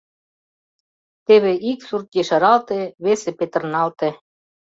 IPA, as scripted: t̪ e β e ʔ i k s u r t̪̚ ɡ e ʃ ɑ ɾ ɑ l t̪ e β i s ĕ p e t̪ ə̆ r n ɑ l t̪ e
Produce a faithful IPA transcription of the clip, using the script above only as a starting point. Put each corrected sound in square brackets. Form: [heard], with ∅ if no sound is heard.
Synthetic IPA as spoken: t̪ e β e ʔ i k s u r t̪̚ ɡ e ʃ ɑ ɾ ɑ l t̪ e β [e] s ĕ p e t̪ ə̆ r n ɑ l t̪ e